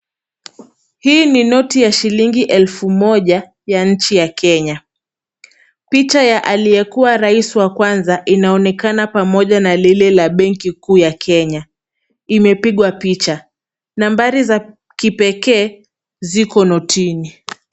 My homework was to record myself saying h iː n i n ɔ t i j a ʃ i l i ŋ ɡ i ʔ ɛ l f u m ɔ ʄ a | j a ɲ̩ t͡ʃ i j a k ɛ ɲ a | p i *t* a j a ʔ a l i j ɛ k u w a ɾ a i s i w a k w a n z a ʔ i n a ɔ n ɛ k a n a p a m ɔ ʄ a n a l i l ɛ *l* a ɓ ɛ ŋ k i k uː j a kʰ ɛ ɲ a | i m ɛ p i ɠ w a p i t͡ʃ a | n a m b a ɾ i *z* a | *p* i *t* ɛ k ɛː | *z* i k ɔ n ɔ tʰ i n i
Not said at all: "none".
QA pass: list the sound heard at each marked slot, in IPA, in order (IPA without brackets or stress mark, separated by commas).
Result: t͡ʃ, l, z, k, p, z